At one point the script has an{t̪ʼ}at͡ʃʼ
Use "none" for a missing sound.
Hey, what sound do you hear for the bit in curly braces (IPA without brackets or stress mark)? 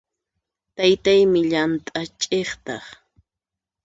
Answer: t̪ʼ